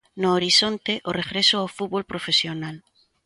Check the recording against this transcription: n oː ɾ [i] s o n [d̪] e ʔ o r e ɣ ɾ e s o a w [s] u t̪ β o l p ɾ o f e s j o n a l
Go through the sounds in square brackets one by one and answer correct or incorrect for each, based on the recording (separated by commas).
correct, incorrect, incorrect